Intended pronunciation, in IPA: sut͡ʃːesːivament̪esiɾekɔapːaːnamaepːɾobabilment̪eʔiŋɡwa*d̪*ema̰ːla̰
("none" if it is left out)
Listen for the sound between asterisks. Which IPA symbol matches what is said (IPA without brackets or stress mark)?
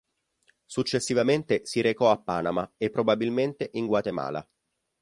t̪